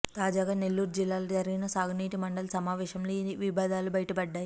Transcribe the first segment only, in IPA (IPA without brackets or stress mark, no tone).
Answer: t̪